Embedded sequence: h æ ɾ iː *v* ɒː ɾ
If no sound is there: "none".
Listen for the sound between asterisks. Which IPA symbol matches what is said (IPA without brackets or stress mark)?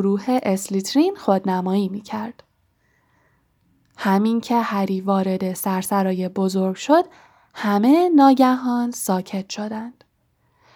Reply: v